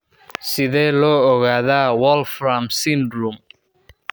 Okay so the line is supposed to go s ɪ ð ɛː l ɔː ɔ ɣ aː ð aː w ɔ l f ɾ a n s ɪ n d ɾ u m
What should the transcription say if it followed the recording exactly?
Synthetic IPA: s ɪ ð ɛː l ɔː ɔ ɣ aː ð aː w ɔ l f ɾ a m s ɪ n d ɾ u m